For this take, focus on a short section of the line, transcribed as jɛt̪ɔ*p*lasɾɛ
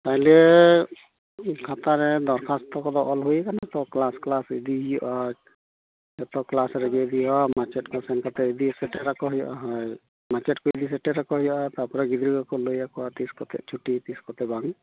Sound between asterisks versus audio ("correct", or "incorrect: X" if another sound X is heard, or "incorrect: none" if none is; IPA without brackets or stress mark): incorrect: k